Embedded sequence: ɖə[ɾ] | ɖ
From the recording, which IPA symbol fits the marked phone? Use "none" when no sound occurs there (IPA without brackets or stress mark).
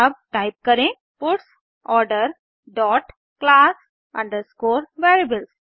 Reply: ɾ